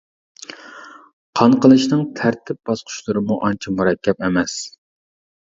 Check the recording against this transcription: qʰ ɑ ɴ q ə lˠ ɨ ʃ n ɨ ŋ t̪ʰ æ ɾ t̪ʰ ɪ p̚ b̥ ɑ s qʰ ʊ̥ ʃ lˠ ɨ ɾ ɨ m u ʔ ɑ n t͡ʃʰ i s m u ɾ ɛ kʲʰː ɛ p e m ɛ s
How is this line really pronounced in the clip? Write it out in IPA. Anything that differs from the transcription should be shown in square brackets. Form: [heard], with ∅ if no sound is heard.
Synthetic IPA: qʰ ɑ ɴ q ə lˠ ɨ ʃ n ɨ ŋ t̪ʰ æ ɾ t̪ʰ ɪ p̚ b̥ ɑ s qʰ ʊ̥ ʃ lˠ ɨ ɾ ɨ m u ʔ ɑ n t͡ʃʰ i [∅] m u ɾ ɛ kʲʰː ɛ p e m ɛ s